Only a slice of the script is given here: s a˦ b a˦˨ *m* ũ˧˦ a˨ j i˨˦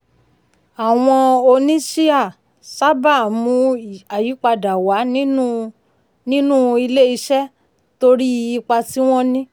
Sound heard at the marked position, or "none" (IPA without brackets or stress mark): m